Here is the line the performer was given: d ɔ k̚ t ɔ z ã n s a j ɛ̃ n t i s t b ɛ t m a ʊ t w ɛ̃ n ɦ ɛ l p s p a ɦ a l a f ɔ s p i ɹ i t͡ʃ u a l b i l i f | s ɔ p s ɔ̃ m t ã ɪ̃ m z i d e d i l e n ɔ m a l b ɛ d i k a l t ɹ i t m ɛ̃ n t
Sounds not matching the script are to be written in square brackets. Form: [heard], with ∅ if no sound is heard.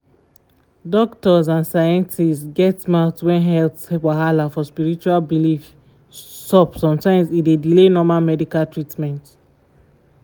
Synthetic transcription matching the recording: d ɔ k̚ t ɔ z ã n s a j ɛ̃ n t i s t [ɡ] ɛ t m a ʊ t w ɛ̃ n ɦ ɛ l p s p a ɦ a l a f ɔ s p i ɹ i t͡ʃ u a l b i l i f | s ɔ p s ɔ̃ m t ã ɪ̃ m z i d e d i l e n ɔ m a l [m] ɛ d i k a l t ɹ i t m ɛ̃ n t